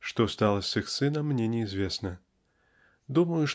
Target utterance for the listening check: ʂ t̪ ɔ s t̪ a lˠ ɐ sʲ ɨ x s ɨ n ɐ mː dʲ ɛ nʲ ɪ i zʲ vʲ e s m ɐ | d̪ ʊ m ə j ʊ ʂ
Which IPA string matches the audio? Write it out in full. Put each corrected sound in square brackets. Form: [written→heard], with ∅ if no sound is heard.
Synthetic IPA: ʂ t̪ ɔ s t̪ a lˠ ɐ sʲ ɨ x s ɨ n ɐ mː [dʲ→nʲ] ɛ nʲ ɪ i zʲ vʲ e s [m→n] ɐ | d̪ [ʊ→u] m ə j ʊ ʂ

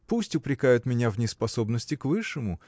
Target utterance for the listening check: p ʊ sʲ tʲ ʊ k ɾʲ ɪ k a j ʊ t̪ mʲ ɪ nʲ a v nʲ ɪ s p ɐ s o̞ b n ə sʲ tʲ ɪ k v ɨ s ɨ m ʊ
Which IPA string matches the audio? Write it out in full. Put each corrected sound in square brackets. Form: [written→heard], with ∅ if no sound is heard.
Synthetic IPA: p [ʊ→u] sʲ tʲ ʊ [k→p] ɾʲ ɪ k a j ʊ t̪ mʲ ɪ nʲ a v nʲ ɪ s p ɐ s o̞ b n ə sʲ tʲ ɪ k v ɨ [s→ʂ] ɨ m ʊ

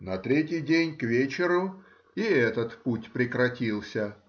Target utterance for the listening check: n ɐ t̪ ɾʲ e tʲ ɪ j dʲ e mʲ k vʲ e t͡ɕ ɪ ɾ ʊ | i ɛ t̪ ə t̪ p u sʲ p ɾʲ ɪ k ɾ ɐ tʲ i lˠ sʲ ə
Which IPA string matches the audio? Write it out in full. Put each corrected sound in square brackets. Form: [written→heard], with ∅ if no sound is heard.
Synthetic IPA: n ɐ t̪ ɾʲ e tʲ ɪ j dʲ e [mʲ→nʲ] k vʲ e t͡ɕ ɪ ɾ ʊ | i ɛ t̪ ə t̪ p u [sʲ→tʲ] p ɾʲ ɪ k ɾ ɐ tʲ i lˠ sʲ ə

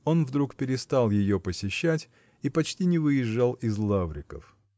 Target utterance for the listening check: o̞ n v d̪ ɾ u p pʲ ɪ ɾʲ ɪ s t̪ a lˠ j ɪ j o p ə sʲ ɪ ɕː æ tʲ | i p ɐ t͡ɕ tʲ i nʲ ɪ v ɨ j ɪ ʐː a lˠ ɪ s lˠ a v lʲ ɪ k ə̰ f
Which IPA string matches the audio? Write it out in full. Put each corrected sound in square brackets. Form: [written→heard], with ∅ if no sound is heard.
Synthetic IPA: o̞ n v d̪ ɾ u [p→k] pʲ ɪ ɾʲ ɪ s t̪ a lˠ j ɪ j o p ə sʲ ɪ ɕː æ tʲ | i p ɐ t͡ɕ tʲ i nʲ ɪ v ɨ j ɪ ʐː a lˠ ɪ [s→z] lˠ a v [lʲ→ɾʲ] ɪ k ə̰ f

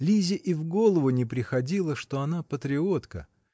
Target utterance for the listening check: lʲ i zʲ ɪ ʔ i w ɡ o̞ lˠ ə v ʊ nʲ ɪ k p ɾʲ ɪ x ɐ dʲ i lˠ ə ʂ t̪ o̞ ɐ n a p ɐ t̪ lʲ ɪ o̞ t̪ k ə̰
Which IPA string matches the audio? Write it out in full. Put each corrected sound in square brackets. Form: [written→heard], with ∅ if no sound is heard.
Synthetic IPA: lʲ i zʲ ɪ ʔ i [w→v] ɡ o̞ lˠ ə v ʊ nʲ ɪ [k→∅] p ɾʲ ɪ x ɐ dʲ i lˠ ə ʂ t̪ o̞ ɐ n a p [ɐ→ə] t̪ [lʲ→ɾʲ] ɪ o̞ t̪ k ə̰

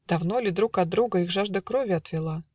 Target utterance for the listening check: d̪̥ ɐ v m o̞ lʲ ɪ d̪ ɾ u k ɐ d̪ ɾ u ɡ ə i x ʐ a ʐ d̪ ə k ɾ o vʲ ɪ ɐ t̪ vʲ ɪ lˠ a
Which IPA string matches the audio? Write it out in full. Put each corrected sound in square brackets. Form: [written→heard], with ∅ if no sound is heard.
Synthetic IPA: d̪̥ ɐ v [m→n] o̞ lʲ ɪ d̪ ɾ u k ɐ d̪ ɾ u ɡ ə i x ʐ a ʐ d̪ ə k ɾ o vʲ ɪ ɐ t̪ vʲ ɪ lˠ a

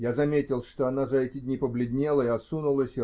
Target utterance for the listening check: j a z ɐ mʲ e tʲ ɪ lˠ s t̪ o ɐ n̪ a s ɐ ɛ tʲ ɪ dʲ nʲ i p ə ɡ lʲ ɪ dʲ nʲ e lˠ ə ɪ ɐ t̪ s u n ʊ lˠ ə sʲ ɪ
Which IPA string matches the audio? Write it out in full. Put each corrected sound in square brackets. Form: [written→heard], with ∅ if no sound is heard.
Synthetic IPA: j a z ɐ mʲ e tʲ ɪ lˠ [s→ʂ] t̪ o ɐ n̪ a [s→z] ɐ ɛ tʲ ɪ dʲ nʲ i p ə [ɡ→b] lʲ ɪ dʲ nʲ e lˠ ə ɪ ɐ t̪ s u n ʊ lˠ ə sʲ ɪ

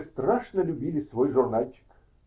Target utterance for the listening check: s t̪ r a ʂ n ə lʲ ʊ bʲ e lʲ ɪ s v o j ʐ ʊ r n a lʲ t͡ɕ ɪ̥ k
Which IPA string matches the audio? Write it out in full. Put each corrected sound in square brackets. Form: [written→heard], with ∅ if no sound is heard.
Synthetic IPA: s t̪ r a ʂ n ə lʲ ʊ bʲ [e→i] lʲ ɪ s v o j ʐ ʊ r n a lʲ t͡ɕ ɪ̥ k

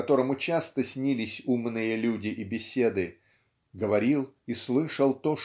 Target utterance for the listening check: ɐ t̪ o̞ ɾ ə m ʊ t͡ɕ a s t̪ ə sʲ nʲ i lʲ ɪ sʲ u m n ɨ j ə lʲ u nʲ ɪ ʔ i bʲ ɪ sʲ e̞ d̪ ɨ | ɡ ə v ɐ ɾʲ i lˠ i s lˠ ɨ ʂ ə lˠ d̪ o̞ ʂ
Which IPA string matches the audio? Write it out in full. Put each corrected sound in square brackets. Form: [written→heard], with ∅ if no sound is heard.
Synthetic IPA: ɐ t̪ o̞ ɾ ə m ʊ t͡ɕ a s t̪ ə sʲ nʲ i lʲ ɪ sʲ u m n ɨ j ə lʲ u [nʲ→dʲ] ɪ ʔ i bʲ ɪ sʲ e̞ d̪ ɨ | ɡ ə v ɐ ɾʲ i lˠ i s lˠ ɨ ʂ ə lˠ [d̪→t̪] o̞ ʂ

